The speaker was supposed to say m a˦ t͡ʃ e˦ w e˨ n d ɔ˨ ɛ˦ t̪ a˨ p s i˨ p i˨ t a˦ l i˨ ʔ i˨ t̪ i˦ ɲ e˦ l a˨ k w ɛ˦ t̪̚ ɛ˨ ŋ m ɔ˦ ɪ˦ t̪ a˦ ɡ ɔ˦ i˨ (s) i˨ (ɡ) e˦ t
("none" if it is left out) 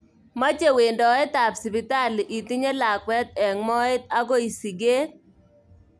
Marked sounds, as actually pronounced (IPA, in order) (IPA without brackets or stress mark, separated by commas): s, ɡ